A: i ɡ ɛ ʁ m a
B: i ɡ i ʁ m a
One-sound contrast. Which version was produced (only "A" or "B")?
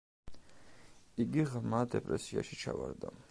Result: B